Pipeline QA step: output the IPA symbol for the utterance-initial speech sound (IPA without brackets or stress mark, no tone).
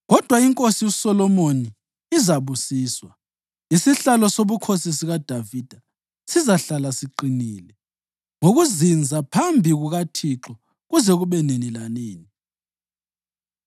ɣ